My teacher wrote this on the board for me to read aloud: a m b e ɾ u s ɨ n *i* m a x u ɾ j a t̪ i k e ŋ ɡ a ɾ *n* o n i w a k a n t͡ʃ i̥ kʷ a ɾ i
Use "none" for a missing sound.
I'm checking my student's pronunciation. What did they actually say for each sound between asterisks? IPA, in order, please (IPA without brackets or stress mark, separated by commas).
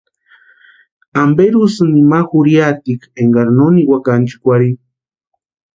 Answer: i, n